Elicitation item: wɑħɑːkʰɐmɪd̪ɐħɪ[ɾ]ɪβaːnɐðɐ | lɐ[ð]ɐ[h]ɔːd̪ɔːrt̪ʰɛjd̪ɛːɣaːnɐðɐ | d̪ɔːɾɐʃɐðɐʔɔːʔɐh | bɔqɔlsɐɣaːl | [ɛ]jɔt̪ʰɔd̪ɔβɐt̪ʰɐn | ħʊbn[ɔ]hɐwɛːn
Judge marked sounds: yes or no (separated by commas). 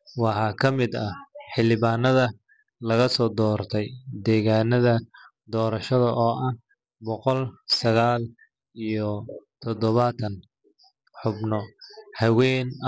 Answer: no, no, no, no, yes